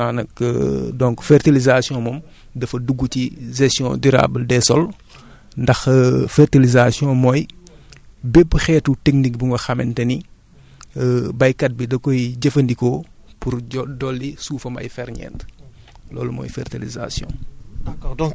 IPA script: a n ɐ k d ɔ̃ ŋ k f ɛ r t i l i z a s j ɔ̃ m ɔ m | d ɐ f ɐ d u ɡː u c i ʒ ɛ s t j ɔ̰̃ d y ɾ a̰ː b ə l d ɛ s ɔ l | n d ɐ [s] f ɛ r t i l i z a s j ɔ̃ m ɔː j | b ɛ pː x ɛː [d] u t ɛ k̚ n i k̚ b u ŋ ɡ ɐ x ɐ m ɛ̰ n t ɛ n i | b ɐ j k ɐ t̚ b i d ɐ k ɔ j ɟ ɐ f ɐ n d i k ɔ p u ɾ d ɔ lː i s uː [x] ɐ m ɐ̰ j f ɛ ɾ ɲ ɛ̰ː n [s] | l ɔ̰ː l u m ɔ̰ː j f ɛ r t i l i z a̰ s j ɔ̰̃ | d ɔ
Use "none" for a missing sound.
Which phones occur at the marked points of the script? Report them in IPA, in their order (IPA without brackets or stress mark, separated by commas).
x, t, f, t